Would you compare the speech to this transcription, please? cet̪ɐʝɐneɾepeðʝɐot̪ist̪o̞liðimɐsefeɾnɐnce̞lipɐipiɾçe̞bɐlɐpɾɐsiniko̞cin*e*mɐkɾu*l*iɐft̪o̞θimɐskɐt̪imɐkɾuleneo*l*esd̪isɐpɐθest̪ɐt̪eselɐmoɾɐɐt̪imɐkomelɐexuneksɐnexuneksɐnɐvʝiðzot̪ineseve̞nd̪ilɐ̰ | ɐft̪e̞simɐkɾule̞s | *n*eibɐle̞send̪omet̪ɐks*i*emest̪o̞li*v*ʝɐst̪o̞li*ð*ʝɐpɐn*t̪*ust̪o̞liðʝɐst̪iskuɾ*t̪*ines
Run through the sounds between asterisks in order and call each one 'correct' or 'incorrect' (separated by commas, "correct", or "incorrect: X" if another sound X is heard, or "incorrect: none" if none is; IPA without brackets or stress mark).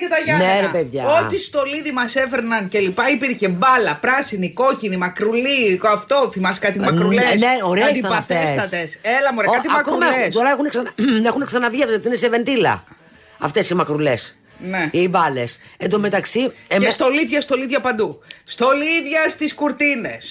incorrect: i, correct, incorrect: ɾ, correct, correct, incorrect: ð, correct, incorrect: d̪, correct